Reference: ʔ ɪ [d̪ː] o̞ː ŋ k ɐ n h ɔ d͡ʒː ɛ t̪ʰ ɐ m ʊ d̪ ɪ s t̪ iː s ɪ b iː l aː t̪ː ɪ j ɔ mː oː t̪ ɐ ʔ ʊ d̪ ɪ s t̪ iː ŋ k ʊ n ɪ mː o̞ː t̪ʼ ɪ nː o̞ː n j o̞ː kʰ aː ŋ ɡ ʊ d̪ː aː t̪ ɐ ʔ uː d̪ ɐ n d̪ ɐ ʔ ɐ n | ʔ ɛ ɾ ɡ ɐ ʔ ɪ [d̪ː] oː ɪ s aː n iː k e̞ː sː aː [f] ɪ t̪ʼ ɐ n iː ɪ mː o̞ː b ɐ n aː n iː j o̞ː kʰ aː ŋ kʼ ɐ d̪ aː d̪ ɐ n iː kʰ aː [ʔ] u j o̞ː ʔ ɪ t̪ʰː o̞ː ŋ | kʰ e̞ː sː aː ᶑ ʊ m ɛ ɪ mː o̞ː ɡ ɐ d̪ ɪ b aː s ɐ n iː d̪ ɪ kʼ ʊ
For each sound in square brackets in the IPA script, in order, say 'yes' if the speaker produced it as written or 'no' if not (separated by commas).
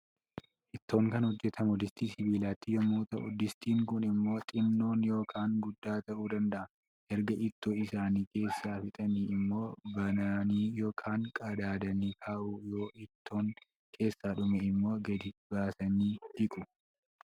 no, no, yes, yes